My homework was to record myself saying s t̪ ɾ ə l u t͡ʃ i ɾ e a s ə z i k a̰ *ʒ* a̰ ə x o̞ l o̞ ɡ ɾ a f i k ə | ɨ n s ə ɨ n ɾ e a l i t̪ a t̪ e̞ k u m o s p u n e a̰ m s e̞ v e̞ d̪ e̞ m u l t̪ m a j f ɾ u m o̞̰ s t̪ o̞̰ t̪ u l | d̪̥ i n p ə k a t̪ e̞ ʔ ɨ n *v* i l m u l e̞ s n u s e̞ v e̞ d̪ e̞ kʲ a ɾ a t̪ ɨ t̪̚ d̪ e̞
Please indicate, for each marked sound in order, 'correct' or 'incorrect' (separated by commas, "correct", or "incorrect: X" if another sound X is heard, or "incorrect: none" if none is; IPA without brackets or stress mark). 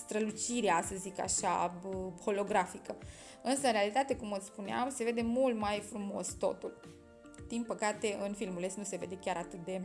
incorrect: ʃ, incorrect: f